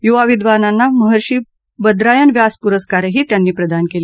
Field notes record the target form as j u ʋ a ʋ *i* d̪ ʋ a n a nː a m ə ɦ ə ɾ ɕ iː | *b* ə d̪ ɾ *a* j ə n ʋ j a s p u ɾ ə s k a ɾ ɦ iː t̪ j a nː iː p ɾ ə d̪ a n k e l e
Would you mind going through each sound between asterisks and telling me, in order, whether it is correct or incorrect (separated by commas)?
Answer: correct, correct, correct